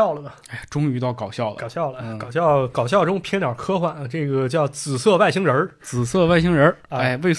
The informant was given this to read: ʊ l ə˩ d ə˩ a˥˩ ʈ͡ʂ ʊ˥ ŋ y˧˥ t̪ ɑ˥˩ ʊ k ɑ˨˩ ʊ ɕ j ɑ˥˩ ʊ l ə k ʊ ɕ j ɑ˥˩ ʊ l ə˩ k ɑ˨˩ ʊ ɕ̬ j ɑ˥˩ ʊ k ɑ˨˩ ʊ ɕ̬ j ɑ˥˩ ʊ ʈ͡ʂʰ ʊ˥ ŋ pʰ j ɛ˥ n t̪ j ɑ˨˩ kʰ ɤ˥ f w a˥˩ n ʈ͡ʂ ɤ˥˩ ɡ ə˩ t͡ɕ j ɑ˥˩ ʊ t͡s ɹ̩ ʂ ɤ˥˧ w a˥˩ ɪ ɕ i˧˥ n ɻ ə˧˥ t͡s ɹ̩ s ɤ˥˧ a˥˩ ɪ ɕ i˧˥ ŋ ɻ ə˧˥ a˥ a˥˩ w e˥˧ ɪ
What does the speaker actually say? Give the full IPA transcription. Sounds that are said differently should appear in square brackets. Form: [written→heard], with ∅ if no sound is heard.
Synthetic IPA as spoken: ʊ l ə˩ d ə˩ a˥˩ ʈ͡ʂ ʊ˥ ŋ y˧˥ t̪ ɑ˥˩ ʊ k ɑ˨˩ ʊ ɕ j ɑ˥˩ ʊ l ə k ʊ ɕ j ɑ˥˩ ʊ l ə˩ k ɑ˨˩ ʊ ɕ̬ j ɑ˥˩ ʊ k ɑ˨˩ ʊ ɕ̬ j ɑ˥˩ ʊ [ʈ͡ʂʰ→ʈ͡ʂ] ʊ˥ ŋ pʰ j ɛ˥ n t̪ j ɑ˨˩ kʰ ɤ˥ [f→x] w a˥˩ n ʈ͡ʂ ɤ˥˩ ɡ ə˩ t͡ɕ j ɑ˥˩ ʊ t͡s ɹ̩ [ʂ→s] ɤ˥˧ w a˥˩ ɪ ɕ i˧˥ [n→ŋ] ɻ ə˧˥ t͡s ɹ̩ s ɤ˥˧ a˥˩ ɪ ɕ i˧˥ ŋ ɻ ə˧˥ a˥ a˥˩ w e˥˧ ɪ